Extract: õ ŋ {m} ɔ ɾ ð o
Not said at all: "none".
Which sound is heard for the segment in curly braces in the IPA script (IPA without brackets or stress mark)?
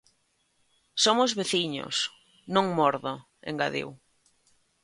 m